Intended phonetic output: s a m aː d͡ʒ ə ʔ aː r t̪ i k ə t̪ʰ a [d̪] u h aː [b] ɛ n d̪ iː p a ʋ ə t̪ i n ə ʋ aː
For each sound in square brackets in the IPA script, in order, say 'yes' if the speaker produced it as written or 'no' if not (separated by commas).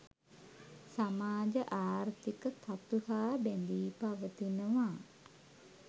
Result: no, yes